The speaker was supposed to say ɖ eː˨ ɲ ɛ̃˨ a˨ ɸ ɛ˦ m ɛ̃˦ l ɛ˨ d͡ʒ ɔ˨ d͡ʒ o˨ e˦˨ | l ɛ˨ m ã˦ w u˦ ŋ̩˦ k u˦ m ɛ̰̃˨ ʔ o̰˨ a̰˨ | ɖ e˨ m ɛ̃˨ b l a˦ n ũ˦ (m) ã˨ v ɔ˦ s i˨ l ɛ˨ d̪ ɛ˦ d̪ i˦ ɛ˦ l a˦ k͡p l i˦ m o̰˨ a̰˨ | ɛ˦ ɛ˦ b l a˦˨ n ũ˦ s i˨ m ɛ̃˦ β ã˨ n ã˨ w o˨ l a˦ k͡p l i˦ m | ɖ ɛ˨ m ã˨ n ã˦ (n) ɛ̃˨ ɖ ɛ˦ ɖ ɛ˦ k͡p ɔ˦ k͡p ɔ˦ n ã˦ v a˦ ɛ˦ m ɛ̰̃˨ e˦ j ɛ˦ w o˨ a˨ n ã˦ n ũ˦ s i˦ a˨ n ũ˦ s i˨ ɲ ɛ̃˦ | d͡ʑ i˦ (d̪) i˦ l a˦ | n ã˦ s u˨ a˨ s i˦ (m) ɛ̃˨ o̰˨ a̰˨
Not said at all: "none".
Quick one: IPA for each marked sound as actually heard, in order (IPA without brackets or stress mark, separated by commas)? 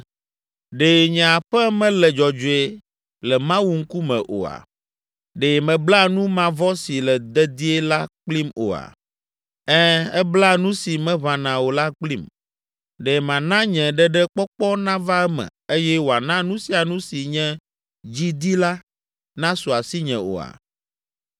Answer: m, ɲ, d̪, ɲ